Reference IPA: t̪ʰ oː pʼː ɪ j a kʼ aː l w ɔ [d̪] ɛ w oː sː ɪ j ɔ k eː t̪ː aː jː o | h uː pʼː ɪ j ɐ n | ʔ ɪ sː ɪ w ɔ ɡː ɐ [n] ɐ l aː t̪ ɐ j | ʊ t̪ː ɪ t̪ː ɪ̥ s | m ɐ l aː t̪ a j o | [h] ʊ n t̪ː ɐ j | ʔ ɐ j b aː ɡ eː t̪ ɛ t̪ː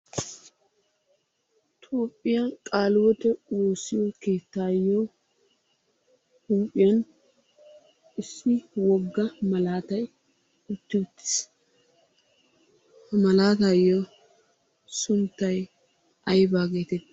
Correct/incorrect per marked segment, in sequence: incorrect: t̪, incorrect: m, incorrect: s

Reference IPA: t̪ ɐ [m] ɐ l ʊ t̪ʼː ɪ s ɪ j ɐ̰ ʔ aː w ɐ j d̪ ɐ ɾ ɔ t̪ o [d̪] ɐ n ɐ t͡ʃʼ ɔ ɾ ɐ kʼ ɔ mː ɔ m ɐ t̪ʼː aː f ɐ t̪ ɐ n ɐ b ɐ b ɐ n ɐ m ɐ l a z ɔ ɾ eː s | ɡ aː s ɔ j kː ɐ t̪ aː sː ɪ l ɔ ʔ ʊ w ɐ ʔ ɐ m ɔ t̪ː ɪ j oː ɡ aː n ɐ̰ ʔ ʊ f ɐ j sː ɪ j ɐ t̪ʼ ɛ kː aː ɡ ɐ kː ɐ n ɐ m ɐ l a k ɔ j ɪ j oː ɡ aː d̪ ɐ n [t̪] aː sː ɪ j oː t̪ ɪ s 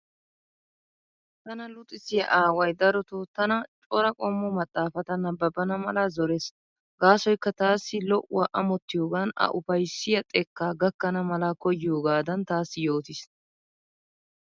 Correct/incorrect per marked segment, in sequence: incorrect: n, incorrect: t̪, correct

